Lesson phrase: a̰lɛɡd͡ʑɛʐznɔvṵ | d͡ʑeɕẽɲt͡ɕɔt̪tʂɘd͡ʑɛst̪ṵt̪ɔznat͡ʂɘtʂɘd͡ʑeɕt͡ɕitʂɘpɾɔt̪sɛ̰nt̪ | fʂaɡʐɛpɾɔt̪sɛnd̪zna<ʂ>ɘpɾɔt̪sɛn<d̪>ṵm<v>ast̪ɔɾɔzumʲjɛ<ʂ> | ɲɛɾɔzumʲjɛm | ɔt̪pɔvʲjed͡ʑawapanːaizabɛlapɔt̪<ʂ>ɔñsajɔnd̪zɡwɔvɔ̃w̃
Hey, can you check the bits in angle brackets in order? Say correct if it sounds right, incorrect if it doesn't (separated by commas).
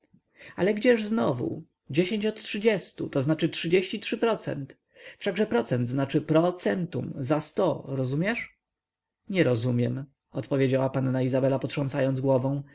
incorrect, incorrect, incorrect, correct, correct